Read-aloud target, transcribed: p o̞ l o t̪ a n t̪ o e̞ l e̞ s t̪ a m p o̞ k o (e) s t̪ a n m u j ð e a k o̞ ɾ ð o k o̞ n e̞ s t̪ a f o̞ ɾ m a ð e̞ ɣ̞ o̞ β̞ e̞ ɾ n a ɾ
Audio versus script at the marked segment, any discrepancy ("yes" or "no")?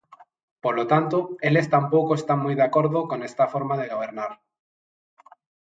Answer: no